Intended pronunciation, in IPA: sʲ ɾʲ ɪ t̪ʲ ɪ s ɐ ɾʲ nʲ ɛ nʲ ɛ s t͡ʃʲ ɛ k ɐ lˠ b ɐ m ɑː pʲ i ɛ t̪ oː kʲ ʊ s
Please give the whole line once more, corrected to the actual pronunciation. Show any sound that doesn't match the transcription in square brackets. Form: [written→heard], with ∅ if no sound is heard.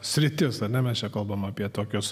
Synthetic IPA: sʲ ɾʲ ɪ t̪ʲ ɪ s ɐ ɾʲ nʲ ɛ [nʲ→mʲ] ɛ s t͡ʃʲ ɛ k ɐ lˠ b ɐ m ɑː pʲ i ɛ t̪ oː kʲ ʊ s